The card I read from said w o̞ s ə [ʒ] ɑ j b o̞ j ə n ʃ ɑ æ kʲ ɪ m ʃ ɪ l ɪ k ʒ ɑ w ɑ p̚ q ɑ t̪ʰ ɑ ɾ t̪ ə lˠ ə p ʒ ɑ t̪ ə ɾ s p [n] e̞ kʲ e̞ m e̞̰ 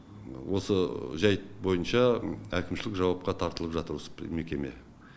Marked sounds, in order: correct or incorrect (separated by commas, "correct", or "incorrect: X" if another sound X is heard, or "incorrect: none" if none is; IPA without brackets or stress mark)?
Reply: correct, incorrect: m